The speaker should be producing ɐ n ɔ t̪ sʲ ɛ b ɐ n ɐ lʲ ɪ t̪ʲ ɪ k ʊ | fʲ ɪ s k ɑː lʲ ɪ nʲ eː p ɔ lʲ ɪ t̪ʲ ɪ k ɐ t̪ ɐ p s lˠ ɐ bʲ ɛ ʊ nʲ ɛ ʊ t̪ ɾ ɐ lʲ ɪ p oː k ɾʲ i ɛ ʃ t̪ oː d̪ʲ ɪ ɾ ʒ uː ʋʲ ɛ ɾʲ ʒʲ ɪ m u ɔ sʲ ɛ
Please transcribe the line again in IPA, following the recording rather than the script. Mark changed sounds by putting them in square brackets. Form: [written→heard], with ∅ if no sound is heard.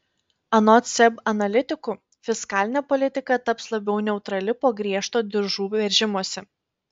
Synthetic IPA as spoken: ɐ n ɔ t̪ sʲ ɛ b ɐ n ɐ lʲ ɪ t̪ʲ ɪ k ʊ | fʲ ɪ s k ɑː lʲ ɪ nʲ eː p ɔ lʲ ɪ t̪ʲ ɪ k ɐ t̪ ɐ p s lˠ ɐ bʲ ɛ ʊ nʲ ɛ ʊ t̪ ɾ ɐ lʲ ɪ p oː [k→ɡ] ɾʲ i ɛ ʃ t̪ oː d̪ʲ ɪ ɾ ʒ uː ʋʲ ɛ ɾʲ ʒʲ ɪ m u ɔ sʲ ɛ